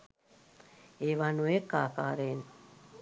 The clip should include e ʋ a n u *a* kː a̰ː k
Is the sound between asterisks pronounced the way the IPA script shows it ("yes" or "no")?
no